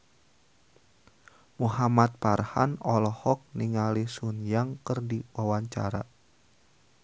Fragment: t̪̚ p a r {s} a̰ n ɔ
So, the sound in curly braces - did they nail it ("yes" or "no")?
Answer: no